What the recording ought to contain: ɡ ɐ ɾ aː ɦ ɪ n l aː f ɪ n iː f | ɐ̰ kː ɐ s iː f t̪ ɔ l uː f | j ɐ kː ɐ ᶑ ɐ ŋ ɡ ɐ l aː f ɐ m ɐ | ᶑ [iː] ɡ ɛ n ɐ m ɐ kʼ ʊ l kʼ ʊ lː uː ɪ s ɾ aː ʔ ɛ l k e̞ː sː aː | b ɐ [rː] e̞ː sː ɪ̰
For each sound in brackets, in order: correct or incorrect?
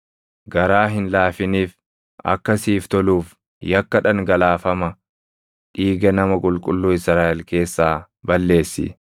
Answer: correct, incorrect: lː

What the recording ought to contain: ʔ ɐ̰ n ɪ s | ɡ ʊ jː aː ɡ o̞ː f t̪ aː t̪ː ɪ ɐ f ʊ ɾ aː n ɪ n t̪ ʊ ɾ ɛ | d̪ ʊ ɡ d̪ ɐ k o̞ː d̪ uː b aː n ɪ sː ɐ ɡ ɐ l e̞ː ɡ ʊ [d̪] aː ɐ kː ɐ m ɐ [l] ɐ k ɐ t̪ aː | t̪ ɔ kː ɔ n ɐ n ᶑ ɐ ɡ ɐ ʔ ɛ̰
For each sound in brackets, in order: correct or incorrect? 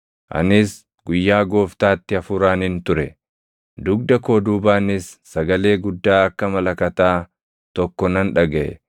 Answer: incorrect: d̪ː, correct

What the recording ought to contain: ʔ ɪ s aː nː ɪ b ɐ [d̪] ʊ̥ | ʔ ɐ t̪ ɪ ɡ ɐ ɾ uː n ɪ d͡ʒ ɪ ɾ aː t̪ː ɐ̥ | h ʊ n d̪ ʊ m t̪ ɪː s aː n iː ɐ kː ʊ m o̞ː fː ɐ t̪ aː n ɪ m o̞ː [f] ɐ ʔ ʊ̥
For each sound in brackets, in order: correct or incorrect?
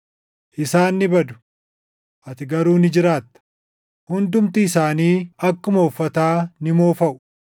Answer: correct, correct

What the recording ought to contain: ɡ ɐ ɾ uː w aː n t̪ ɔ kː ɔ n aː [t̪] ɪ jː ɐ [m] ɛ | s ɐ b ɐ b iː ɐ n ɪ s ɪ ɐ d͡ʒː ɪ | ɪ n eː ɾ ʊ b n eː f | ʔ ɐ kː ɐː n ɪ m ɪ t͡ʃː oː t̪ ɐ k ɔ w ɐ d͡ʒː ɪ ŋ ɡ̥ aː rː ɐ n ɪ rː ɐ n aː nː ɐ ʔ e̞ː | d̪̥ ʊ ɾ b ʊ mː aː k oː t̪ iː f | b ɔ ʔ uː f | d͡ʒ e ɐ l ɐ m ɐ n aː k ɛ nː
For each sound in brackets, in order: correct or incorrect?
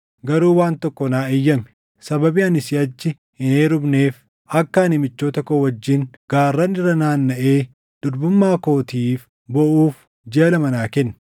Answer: incorrect: none, correct

